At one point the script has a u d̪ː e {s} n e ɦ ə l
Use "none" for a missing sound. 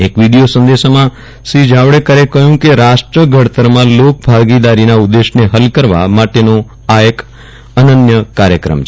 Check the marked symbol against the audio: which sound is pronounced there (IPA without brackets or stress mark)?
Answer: ʃ